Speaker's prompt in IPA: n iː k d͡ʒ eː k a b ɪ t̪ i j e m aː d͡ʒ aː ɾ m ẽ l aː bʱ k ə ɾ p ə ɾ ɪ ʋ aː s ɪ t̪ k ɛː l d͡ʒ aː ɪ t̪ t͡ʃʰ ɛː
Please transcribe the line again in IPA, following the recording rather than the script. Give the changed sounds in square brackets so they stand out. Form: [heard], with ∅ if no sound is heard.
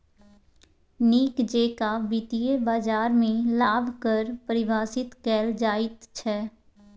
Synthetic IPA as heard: n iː k d͡ʒ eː k a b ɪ t̪ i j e [b] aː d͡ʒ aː ɾ m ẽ l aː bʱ k ə ɾ p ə ɾ ɪ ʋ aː s ɪ t̪ k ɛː l d͡ʒ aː ɪ t̪ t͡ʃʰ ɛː